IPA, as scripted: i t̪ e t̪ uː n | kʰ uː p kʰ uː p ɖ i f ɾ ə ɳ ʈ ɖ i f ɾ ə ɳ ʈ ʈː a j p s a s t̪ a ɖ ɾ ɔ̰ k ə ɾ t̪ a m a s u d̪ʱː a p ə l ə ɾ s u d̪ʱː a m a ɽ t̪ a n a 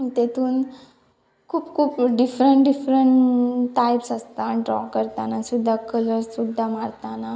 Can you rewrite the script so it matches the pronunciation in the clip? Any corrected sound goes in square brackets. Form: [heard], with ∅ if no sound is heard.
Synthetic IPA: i t̪ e t̪ uː n | kʰ uː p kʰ uː p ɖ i f ɾ ə ɳ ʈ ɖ i f ɾ ə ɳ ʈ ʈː a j p s a s t̪ a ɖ ɾ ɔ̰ k ə ɾ t̪ a [n] a s u d̪ʱː a [k] ə l ə ɾ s u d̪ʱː a m a ɽ t̪ a n a